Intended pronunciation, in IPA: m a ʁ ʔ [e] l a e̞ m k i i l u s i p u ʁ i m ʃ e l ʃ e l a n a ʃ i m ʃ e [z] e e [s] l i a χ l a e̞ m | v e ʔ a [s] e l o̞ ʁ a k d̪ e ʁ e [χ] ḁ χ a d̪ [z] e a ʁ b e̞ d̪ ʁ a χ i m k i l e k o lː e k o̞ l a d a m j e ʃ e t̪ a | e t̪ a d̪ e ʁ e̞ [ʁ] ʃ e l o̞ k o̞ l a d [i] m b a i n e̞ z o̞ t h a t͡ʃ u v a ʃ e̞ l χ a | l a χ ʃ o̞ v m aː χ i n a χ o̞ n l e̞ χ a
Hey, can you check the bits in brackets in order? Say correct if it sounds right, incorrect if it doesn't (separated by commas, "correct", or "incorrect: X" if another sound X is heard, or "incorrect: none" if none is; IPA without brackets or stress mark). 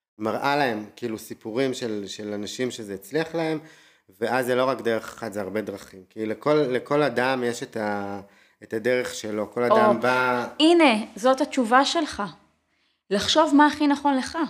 incorrect: a, correct, incorrect: t͡s, incorrect: z, correct, correct, incorrect: χ, incorrect: a